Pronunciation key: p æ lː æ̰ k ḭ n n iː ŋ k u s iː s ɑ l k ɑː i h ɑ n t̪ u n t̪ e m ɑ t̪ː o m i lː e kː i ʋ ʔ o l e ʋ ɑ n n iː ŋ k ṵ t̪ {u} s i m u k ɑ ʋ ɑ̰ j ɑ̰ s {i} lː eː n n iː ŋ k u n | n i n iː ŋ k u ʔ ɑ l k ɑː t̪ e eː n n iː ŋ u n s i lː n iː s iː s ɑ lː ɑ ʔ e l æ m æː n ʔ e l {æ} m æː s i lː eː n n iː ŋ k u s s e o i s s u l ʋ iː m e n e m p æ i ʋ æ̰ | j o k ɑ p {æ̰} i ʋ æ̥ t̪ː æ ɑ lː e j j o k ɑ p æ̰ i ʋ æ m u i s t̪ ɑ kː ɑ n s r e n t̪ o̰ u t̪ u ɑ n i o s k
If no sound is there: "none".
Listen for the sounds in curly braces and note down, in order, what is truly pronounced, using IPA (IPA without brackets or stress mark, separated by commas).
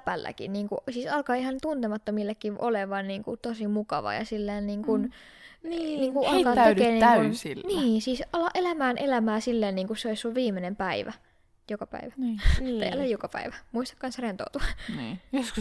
o, i, æ, æ̰